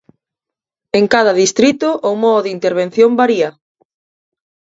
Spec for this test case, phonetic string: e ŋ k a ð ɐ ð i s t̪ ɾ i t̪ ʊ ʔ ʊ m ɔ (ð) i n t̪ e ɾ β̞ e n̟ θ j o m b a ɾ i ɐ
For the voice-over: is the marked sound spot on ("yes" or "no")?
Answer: yes